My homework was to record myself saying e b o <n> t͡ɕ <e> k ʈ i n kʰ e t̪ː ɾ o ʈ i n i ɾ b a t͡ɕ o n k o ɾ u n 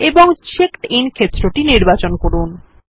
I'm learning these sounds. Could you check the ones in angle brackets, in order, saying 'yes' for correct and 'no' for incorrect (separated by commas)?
no, yes